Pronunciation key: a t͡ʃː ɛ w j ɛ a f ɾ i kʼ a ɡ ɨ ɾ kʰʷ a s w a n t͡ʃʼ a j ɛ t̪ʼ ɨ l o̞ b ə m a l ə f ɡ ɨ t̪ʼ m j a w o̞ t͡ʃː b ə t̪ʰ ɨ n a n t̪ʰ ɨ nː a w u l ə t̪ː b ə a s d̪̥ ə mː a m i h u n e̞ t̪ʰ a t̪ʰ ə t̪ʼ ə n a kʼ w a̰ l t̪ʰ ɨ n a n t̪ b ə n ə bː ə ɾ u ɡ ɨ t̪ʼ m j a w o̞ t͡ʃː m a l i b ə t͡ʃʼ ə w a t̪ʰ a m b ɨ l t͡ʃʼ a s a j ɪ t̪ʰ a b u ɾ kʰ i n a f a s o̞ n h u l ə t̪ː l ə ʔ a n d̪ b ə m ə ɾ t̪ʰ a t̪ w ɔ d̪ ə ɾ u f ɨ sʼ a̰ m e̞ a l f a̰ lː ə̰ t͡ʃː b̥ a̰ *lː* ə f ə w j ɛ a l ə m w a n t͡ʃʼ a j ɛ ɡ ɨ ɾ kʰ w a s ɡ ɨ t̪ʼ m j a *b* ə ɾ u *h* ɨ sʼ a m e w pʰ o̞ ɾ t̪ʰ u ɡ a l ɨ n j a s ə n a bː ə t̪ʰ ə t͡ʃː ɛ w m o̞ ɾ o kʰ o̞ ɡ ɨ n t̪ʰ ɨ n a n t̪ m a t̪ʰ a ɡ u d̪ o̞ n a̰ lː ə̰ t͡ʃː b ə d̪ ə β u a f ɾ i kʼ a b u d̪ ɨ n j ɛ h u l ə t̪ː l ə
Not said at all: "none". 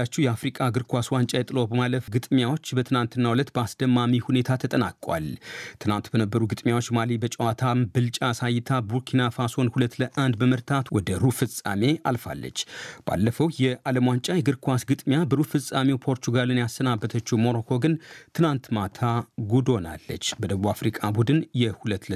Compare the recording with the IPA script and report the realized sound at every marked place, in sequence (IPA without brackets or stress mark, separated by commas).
lː, b, f